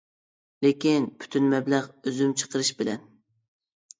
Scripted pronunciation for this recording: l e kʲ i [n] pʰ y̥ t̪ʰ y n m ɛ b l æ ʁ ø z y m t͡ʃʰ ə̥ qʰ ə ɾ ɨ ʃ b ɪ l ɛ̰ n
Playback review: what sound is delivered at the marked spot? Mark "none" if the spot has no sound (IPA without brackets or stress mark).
n